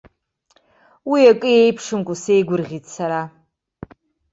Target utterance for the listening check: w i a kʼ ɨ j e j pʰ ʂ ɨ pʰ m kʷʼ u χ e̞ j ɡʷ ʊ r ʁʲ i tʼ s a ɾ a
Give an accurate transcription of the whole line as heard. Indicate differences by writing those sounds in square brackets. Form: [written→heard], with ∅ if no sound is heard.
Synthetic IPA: w i a kʼ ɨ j e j pʰ ʂ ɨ [pʰ→∅] m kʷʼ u [χ→s] e̞ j ɡʷ ʊ r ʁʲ i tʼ s a ɾ a